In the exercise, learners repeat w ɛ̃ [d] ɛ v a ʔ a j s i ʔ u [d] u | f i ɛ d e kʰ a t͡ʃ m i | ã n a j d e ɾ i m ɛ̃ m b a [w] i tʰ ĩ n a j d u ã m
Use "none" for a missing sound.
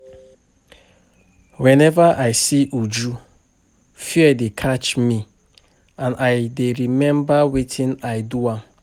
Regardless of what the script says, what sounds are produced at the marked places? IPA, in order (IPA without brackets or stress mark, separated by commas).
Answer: n, d͡ʒ, w